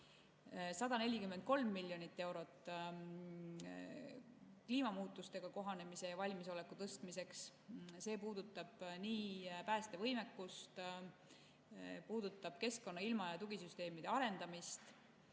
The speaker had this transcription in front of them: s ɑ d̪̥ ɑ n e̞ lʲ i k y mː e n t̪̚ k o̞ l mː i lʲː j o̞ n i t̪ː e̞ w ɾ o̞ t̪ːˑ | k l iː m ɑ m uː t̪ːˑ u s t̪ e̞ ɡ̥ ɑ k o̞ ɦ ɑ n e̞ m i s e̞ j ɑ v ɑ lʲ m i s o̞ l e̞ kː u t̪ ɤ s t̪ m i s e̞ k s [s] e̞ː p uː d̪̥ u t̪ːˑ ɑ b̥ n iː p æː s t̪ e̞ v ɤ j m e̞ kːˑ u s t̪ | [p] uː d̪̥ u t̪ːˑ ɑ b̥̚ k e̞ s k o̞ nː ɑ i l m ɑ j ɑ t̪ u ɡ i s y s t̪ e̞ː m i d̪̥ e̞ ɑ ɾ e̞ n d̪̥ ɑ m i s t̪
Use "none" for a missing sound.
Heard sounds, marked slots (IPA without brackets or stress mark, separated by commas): s, p